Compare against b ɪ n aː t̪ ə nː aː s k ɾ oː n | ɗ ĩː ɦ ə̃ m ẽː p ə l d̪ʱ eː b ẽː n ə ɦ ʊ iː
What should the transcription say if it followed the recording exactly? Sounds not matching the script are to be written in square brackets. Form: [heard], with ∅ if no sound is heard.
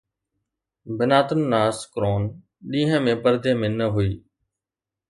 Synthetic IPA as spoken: b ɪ n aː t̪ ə nː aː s k ɾ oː n | ɗ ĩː ɦ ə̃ m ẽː p ə [ɾ] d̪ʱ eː [m] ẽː n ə ɦ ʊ iː